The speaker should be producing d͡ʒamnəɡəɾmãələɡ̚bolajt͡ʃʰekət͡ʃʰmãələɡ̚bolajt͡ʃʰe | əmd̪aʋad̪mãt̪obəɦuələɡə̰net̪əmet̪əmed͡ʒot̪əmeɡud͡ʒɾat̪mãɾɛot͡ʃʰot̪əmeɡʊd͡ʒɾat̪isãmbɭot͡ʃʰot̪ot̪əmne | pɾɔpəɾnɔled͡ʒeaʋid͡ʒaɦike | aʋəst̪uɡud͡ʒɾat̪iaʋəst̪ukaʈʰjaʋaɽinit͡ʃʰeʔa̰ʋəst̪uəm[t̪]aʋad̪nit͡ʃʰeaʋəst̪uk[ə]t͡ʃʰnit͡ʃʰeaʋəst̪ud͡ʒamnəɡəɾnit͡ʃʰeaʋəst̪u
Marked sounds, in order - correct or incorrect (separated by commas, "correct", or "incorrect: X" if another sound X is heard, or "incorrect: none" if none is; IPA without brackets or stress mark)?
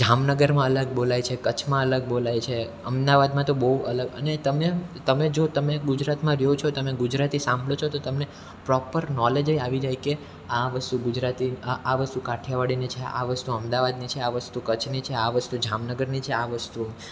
incorrect: d̪, correct